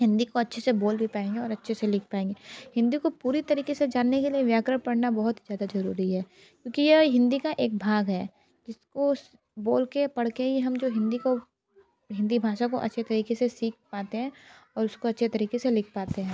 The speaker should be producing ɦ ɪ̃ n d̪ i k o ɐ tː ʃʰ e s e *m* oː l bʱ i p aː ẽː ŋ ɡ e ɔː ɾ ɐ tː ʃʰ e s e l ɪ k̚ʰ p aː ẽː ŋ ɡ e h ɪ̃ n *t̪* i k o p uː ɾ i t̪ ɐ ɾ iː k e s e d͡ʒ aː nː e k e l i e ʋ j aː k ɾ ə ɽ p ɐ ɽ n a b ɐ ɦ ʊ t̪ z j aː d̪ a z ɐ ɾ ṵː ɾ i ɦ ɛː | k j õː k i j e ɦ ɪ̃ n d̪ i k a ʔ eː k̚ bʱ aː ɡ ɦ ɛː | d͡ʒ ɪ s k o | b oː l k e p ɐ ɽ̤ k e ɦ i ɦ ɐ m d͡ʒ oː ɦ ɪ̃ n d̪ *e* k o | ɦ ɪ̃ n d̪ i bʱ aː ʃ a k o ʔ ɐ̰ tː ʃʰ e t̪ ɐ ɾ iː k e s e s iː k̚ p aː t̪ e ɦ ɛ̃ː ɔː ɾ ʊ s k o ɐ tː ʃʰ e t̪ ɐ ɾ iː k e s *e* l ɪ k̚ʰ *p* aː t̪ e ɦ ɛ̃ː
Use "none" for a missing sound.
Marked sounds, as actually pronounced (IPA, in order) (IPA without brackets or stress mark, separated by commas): b, d̪, i, e, p